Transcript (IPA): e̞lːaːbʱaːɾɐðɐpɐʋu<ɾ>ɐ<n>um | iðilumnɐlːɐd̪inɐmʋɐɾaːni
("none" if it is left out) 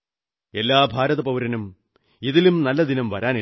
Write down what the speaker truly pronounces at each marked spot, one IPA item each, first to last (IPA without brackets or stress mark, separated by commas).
ɾ, n